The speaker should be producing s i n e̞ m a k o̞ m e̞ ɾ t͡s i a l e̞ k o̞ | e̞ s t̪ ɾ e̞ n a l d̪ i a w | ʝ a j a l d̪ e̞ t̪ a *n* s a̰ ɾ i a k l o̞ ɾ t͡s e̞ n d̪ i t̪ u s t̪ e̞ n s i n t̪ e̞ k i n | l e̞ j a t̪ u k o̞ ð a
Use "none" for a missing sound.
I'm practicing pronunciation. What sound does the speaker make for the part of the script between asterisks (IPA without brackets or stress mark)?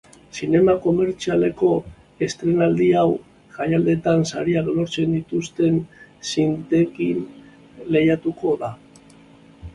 n